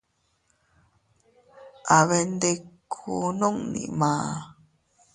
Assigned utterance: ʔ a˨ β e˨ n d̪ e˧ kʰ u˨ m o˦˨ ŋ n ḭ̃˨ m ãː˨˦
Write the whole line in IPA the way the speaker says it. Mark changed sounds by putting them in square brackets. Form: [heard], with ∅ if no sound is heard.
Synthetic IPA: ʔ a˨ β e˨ n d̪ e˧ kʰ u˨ [n] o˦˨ ŋ n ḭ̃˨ m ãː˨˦

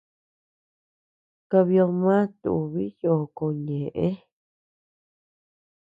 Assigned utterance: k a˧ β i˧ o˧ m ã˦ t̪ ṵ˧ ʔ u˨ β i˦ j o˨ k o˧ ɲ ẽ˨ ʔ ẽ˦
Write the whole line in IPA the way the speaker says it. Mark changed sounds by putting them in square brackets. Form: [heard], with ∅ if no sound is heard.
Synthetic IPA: k a˧ β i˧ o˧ m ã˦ t̪ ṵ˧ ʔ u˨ β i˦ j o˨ k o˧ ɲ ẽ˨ ʔ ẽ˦

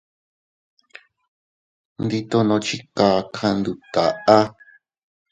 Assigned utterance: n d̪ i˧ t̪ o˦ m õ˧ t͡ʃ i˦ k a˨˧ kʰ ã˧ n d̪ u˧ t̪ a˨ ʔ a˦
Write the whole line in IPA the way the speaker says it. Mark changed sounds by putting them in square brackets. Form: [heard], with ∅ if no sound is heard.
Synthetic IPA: n d̪ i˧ t̪ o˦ [n] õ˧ t͡ʃ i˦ k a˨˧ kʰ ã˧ n d̪ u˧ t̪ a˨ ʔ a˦

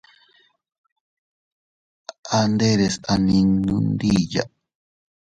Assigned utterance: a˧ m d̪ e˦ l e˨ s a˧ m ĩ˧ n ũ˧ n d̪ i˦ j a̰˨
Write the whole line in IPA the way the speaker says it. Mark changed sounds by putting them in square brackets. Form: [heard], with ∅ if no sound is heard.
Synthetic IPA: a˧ [n] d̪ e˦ [ɾ] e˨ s a˧ [n] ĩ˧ n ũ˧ n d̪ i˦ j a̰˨

